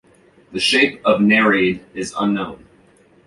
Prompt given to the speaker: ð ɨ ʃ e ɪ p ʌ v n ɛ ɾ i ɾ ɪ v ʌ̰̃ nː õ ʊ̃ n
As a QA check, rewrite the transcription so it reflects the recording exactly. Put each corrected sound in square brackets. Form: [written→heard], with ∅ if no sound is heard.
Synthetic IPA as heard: ð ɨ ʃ e ɪ p ʌ v n ɛ [ɾ→ɹ] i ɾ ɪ [v→z] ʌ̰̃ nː õ ʊ̃ n